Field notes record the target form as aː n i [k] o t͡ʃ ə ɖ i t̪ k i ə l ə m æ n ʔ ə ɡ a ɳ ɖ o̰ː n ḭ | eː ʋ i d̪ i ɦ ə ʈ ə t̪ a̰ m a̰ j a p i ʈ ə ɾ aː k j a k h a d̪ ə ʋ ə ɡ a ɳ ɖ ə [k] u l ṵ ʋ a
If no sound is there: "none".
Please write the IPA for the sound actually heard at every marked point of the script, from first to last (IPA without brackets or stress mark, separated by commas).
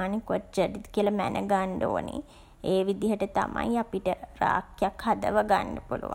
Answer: k, p